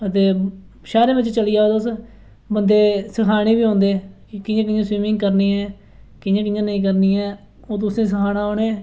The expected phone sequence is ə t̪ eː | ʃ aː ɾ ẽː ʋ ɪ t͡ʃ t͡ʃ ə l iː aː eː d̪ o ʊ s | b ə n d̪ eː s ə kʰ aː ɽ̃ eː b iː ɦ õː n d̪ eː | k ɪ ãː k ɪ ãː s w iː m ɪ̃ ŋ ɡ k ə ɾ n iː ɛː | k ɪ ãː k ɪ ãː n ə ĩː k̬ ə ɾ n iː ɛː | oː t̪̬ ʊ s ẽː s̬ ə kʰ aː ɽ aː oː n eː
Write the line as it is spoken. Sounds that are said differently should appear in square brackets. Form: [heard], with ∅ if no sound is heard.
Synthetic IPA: ə t̪ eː | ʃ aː ɾ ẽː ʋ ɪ t͡ʃ t͡ʃ ə l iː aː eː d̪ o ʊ s | b ə n d̪ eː s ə kʰ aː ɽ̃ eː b iː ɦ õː n d̪ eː | k ɪ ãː k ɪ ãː s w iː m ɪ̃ ŋ ɡ k ə ɾ n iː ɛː | k ɪ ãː k ɪ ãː n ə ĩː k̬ ə ɾ n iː ɛː | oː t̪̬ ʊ s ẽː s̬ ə kʰ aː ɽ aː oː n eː